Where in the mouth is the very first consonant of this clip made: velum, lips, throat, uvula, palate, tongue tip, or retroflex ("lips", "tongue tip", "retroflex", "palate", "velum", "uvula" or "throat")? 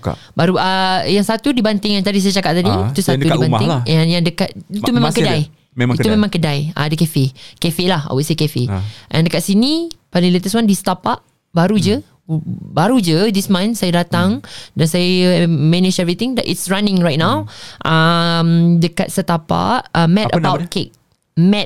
lips